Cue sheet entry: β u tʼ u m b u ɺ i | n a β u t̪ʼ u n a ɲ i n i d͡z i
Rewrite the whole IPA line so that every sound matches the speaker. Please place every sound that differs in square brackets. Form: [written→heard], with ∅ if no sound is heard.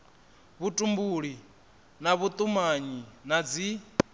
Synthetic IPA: β u tʼ u m b u ɺ i | n a β u t̪ʼ u [n→m] a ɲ i n [i→a] d͡z i